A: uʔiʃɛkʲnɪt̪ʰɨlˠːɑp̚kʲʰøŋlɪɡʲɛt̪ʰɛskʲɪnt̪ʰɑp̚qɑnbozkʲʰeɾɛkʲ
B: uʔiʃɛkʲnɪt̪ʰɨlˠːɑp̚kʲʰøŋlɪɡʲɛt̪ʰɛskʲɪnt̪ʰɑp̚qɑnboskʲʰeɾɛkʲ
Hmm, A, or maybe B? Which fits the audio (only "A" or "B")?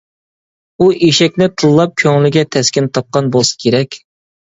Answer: B